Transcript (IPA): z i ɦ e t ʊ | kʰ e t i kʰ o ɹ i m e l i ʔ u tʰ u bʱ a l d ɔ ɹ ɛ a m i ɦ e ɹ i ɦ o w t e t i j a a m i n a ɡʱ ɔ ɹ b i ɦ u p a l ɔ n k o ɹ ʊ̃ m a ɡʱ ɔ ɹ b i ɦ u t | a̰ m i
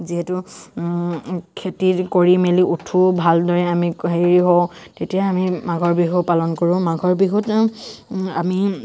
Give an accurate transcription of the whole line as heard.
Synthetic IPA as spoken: z i ɦ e t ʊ | kʰ e t i k o ɹ i m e l i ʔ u tʰ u bʱ a l d ɔ ɹ ɛ a m i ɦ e ɹ i ɦ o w t e t i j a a m i m a ɡʱ ɔ ɹ b i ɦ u p a l ɔ n k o ɹ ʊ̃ m a ɡʱ ɔ ɹ b i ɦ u t | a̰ m i